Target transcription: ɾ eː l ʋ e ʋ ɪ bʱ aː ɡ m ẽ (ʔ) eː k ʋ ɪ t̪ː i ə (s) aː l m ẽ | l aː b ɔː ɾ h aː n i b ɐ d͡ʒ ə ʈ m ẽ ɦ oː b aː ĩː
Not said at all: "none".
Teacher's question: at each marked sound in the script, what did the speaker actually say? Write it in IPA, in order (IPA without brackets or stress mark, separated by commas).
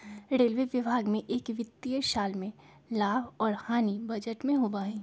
ʔ, ʃ